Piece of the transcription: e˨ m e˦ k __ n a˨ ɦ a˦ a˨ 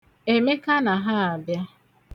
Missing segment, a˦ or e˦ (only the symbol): a˦